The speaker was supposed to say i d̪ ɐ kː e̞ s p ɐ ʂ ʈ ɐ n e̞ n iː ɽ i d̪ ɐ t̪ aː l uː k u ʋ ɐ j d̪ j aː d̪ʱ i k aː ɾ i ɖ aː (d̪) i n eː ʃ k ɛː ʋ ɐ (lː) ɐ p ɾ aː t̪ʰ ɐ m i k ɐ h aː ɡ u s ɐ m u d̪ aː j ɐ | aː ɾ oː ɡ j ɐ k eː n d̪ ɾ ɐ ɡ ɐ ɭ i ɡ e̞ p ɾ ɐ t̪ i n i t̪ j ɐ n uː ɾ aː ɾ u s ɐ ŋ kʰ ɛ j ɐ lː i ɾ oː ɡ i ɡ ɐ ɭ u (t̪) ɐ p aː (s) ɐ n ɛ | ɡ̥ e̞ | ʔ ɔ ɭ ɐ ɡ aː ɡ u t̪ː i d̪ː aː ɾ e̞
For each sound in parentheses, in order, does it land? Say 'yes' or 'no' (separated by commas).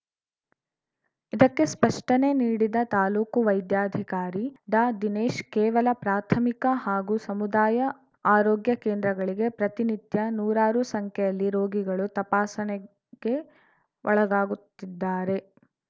yes, no, yes, yes